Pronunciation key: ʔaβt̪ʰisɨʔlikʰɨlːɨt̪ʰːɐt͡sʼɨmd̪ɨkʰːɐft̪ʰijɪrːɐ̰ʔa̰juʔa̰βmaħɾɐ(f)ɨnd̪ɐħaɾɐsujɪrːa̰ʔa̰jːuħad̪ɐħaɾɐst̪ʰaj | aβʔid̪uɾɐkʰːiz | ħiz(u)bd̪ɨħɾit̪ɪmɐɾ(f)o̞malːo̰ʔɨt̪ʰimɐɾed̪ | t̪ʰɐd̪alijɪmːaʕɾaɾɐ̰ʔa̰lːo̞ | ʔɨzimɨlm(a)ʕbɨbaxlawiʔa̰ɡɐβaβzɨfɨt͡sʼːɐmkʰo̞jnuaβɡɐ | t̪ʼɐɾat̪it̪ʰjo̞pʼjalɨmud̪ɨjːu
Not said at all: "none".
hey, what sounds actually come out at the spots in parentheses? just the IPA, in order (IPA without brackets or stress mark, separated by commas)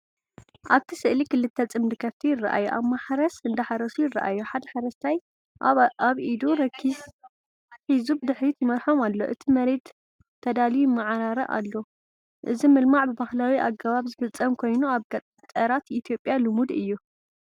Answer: s, u, ħ, a